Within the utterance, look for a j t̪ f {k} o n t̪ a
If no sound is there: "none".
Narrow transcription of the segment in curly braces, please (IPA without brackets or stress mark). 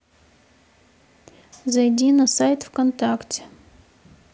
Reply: k